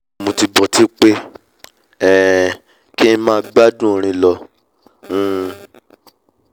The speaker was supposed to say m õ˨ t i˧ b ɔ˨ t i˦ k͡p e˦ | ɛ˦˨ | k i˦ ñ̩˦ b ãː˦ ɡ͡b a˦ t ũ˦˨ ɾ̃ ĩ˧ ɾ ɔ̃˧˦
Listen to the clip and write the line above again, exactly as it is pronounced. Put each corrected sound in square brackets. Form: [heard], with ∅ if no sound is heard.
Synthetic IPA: m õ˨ t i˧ b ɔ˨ t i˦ k͡p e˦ | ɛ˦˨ | k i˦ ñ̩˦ [m] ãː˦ ɡ͡b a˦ [d] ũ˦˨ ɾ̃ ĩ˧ [l] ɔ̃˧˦